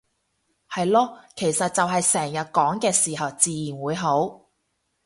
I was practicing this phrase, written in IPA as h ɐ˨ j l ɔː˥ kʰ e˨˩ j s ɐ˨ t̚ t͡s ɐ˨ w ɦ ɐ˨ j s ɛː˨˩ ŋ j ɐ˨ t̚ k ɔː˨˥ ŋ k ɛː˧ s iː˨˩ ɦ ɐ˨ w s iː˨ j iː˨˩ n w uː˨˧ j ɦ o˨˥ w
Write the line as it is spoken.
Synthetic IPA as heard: h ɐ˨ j l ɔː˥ kʰ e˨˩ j s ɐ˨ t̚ t͡s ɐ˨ w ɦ ɐ˨ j s ɛː˨˩ ŋ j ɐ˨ t̚ k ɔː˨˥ ŋ k ɛː˧ s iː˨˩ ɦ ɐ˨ w t͡s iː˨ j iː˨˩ n w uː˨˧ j ɦ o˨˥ w